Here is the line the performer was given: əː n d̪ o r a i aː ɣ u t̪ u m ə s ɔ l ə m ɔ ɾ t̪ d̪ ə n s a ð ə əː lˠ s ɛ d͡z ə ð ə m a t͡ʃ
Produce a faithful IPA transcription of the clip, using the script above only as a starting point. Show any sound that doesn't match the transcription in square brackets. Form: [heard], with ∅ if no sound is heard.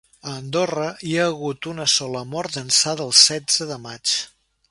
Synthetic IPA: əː n d̪ o r [ə] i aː ɣ u t̪ u [n] ə s ɔ l ə m ɔ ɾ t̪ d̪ ə n s a ð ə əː lˠ s ɛ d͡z ə ð ə m a t͡ʃ

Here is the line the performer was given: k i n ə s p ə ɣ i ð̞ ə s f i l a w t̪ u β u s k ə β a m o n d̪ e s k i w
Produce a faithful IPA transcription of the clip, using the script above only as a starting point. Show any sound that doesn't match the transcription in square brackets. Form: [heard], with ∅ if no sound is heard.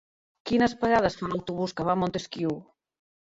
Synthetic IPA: k i n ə s p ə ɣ [a] ð̞ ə s f [a] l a w t̪ u β u s k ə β a m o n [t̪] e s k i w

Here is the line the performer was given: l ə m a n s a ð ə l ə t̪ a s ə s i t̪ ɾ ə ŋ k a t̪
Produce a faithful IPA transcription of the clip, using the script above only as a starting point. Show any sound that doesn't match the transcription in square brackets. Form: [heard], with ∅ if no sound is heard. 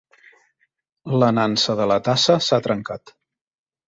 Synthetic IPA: l ə [n] a n s [ə] ð ə l ə t̪ a s ə s [a] t̪ ɾ ə ŋ k a t̪

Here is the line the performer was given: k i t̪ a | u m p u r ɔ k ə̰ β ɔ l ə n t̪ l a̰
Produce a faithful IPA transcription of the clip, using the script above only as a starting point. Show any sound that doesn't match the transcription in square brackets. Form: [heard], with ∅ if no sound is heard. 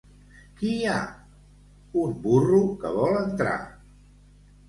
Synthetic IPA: k i [∅] a | u m [b] u r [u] k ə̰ β ɔ l ə n t̪ [ɾ] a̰

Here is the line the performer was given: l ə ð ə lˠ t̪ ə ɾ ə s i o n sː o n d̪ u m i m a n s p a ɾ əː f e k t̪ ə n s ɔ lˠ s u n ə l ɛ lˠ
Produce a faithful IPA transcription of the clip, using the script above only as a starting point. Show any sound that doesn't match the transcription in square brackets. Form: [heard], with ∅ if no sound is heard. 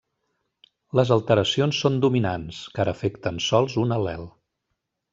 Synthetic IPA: l ə [z] ə lˠ t̪ ə ɾ ə s i o n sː o n d̪ u m i [n] a n s [k] a ɾ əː f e k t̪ ə n s ɔ lˠ [z] u n ə l ɛ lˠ

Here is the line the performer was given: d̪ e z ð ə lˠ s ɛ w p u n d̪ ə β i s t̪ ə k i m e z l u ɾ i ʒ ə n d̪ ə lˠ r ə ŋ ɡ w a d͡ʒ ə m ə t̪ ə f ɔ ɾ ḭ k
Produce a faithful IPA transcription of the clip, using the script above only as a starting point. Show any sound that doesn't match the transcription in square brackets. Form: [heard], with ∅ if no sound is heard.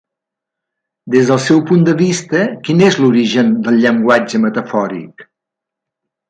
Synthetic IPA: d̪ e z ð ə lˠ s ɛ w p u n d̪ ə β i s t̪ ə k i [n] e z l u ɾ i ʒ ə n d̪ ə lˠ [ʎ] ə ŋ ɡ w a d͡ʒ ə m ə t̪ ə f ɔ ɾ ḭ k

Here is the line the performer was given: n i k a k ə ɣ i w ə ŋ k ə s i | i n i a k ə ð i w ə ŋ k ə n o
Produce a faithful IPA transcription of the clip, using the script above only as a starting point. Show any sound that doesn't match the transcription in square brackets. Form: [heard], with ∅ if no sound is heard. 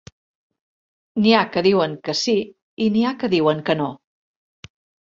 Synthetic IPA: n i [∅] a k ə [ð] i w ə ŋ k ə s i | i n i a k ə ð i w ə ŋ k ə n o

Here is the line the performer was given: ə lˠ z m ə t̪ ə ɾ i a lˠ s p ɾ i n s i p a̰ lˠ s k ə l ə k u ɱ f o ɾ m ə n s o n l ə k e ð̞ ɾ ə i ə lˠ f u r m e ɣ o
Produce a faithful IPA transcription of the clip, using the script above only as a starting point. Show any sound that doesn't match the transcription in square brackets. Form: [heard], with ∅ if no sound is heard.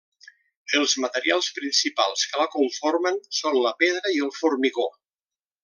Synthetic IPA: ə lˠ z m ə t̪ ə ɾ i a lˠ s p ɾ i n s i p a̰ lˠ s k ə l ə k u ɱ f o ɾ m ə n s o n l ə [p] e ð̞ ɾ ə i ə lˠ f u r m [i] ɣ o

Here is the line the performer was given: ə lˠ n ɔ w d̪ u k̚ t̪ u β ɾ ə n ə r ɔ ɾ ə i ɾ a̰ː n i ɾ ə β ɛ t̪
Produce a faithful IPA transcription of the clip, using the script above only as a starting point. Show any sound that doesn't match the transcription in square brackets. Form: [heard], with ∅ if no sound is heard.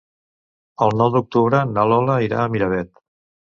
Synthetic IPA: ə lˠ n ɔ w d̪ u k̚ t̪ u β ɾ ə n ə [l] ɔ [l] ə i ɾ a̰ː [m] i ɾ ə β ɛ t̪

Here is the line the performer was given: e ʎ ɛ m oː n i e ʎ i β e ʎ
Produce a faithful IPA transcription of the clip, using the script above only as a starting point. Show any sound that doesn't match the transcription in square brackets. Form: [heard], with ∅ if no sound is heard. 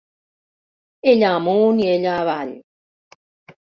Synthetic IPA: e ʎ [a] m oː n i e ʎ [a] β [a] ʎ

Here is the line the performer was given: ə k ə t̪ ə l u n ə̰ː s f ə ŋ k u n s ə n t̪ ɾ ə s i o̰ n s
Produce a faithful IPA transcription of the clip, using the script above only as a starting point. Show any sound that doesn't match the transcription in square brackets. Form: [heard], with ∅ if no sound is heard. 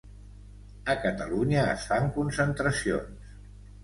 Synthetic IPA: ə k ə t̪ ə l u [ɲ] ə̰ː s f [a] ŋ k u n s ə n t̪ ɾ ə s i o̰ n s

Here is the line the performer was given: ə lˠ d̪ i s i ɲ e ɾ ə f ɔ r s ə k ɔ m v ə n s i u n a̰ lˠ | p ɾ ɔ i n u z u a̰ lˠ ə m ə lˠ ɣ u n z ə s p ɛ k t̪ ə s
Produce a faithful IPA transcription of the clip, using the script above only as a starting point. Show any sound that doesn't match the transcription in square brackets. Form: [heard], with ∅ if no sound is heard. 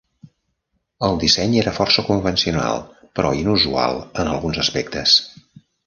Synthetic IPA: ə lˠ d̪ i s [ɛ] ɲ e ɾ ə f ɔ r s ə k [u] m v ə n s i u n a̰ lˠ | p ɾ ɔ i n u z u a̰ lˠ ə [n] ə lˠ ɣ u n z ə s p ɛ k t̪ ə s

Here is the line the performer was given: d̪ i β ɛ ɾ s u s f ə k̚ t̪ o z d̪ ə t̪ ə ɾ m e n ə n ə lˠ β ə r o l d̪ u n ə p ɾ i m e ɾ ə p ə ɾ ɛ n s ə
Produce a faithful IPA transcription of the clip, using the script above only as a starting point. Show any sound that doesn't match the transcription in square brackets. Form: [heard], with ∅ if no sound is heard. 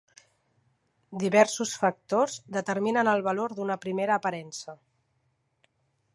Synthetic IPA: d̪ i β ɛ ɾ s u s f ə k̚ t̪ o z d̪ ə t̪ ə ɾ m [i] n ə n ə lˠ β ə [l] o [ɾ] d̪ u n ə p ɾ i m e ɾ [əː] p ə ɾ ɛ n s ə

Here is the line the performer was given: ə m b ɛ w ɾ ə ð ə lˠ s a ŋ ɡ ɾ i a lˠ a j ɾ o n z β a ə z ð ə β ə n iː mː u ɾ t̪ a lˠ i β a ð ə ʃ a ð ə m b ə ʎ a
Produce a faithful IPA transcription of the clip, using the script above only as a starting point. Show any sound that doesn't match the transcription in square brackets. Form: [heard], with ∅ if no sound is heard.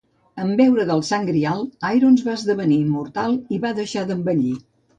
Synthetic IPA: ə m b ɛ w ɾ ə ð ə lˠ s a ŋ ɡ ɾ i a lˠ a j ɾ o n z β a ə z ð ə β ə n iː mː u ɾ t̪ a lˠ i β a ð ə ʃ a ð ə m b ə ʎ [i]

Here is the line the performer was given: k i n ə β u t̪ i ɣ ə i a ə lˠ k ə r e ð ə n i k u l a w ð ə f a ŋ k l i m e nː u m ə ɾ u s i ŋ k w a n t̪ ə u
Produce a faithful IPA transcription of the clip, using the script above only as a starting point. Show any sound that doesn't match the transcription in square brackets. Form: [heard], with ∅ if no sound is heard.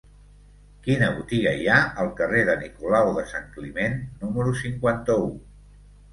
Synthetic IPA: k i n ə β u t̪ i ɣ ə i a ə lˠ k ə r e ð ə n i k u l a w ð ə [s] a ŋ k l i m e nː u m ə ɾ u s i ŋ k w a n t̪ ə u

